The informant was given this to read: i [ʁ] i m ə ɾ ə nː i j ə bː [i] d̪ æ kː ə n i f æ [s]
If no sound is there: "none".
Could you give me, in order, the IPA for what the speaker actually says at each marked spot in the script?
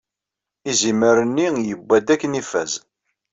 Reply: z, æ, z

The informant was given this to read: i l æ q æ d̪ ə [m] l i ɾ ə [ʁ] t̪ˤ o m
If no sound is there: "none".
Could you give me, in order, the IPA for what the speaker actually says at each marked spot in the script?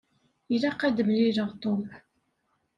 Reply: m, ʁ

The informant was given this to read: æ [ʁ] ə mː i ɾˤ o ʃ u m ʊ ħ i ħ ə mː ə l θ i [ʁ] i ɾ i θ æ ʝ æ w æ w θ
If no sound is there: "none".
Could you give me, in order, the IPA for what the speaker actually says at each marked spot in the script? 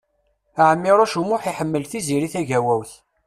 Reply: ʕ, z

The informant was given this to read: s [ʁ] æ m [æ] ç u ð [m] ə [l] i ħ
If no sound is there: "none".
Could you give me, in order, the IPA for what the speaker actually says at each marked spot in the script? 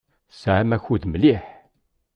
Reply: ʕ, æ, m, l

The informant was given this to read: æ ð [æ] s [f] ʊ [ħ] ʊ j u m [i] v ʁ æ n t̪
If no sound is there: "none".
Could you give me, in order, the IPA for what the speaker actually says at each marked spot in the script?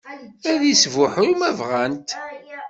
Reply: i, v, ħ, æ

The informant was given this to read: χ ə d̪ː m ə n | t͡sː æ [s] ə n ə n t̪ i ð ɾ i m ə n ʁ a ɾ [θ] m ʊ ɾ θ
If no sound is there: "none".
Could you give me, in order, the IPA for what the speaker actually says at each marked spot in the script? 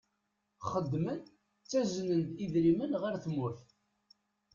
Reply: z, θ

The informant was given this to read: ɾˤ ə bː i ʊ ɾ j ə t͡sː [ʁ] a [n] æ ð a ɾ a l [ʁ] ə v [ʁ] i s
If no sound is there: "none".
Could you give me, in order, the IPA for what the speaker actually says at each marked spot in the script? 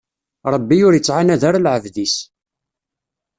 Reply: ʕ, n, ʕ, ð

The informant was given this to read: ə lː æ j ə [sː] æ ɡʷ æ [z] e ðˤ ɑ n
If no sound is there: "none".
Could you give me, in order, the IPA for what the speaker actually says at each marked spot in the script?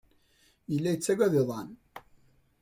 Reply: t͡sː, ð

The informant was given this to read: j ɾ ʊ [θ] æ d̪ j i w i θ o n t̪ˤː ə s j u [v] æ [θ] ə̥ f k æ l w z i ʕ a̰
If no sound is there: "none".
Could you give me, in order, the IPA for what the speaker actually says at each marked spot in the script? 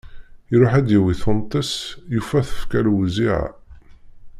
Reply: ħ, f, θ

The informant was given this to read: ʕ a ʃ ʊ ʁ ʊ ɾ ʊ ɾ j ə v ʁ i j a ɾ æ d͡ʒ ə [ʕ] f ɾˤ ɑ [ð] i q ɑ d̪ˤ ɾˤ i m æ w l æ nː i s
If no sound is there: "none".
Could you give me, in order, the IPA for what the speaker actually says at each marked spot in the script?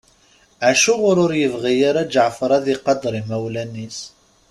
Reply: ʕ, ð

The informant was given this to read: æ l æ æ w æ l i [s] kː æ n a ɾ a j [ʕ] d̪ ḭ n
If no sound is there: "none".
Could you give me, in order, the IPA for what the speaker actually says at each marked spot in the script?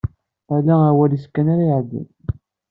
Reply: s, ʕ

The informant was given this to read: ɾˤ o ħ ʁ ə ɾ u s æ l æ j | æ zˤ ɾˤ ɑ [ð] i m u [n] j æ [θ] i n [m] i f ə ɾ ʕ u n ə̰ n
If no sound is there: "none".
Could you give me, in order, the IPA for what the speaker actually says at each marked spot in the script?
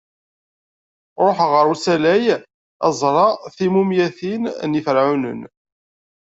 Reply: θ, m, θ, n

